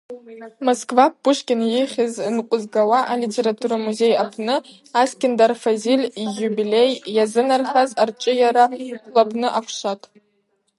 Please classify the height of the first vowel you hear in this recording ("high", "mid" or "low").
mid